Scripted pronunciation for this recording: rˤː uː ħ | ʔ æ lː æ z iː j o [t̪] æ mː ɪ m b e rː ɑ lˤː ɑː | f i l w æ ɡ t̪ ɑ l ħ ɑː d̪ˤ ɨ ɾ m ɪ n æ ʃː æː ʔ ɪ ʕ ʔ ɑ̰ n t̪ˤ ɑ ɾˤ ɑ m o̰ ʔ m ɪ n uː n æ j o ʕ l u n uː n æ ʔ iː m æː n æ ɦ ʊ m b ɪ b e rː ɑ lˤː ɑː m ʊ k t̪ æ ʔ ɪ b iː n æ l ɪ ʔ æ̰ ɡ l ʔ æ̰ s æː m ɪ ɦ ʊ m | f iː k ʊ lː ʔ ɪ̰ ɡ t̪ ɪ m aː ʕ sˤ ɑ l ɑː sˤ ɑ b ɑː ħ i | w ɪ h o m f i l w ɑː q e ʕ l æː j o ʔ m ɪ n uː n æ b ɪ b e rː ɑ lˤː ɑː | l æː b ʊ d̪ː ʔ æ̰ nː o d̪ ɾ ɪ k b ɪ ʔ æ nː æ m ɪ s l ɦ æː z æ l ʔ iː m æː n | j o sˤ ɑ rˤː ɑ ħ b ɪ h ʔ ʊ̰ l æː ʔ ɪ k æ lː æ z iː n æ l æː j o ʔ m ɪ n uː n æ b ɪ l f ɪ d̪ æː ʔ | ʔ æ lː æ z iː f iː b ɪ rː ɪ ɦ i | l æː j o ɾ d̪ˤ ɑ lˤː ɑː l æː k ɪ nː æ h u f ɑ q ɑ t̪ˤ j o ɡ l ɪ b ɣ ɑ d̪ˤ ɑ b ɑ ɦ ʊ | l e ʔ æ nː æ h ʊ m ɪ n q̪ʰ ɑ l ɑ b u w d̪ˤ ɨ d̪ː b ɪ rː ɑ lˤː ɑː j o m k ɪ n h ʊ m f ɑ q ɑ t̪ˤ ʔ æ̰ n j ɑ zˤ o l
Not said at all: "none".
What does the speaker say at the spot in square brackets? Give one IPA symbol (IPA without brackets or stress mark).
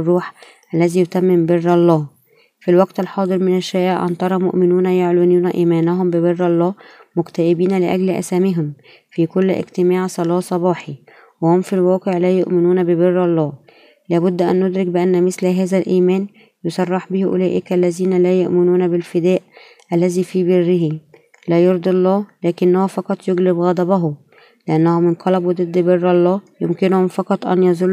t̪